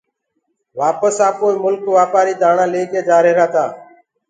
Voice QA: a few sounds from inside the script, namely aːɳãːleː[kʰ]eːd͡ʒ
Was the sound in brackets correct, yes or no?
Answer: no